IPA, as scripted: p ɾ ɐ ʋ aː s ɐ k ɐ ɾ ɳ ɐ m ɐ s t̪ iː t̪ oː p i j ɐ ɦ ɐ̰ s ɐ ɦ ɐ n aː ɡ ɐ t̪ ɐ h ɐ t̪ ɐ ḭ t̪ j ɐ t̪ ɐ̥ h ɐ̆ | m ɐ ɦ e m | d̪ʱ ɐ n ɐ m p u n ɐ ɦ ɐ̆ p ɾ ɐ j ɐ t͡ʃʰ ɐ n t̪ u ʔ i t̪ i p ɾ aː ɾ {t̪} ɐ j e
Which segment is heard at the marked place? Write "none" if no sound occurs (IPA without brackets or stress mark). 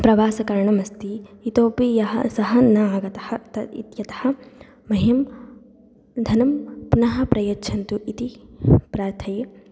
t̪ʰ